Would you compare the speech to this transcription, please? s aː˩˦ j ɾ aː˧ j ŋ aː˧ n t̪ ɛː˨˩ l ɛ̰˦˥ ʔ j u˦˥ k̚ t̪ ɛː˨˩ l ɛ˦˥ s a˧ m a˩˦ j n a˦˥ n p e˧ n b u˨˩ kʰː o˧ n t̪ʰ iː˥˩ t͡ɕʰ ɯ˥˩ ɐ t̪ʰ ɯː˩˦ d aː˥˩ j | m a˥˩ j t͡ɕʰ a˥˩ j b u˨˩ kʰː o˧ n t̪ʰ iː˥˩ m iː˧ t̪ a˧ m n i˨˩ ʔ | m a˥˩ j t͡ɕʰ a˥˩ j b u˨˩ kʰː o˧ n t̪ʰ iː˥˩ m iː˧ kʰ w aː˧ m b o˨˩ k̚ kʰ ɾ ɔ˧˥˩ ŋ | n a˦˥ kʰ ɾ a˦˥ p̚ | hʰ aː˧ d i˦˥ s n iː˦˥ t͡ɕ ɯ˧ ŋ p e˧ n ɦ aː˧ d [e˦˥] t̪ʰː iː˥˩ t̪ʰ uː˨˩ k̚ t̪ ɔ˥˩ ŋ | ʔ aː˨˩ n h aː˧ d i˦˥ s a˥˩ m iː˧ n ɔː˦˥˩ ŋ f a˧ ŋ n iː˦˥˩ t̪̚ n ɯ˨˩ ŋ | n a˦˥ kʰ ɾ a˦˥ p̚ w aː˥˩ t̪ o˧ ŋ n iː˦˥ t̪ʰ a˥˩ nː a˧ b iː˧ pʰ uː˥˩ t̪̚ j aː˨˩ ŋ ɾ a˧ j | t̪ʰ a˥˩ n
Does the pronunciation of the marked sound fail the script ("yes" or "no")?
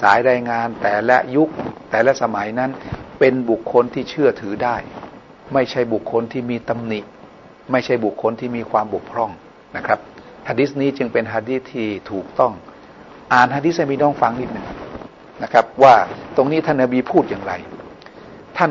yes